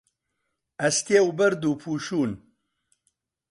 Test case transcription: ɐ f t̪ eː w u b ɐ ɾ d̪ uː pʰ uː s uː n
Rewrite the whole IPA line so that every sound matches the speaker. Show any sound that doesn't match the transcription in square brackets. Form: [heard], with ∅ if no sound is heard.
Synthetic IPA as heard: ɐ [s] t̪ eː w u b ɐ ɾ d̪ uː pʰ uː [ʃ] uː n